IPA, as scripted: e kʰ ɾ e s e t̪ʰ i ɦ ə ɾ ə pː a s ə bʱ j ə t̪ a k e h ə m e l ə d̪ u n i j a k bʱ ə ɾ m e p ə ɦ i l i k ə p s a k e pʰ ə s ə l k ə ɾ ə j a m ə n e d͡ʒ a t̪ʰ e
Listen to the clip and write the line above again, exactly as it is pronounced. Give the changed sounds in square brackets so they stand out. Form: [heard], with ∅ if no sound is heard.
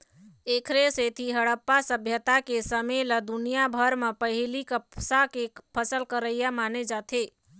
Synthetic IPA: e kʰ ɾ e s e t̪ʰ i ɦ ə [ɽ] ə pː a s ə bʱ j ə t̪ a k e [s] ə m e l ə d̪ u n i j a [∅] bʱ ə ɾ m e p ə ɦ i l i k ə p s a k e pʰ ə s ə l k ə ɾ ə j a m [a] n e d͡ʒ a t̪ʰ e